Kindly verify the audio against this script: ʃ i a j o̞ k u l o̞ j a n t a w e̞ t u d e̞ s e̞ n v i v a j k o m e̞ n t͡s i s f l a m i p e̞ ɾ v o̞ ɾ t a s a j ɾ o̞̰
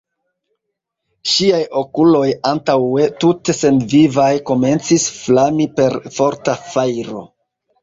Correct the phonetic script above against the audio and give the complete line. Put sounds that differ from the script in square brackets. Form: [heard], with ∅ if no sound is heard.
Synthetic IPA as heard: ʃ i a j o̞ k u l o̞ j a n t a w e̞ t u [t] e̞ s e̞ n v i v a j k o m e̞ n t͡s i s f l a m i p e̞ ɾ [f] o̞ ɾ t a [f] a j ɾ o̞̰